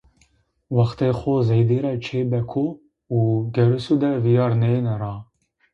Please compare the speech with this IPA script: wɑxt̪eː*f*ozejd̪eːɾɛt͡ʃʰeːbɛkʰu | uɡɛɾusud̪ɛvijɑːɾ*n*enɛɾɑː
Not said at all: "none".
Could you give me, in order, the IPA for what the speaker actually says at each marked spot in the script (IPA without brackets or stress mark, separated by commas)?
x, n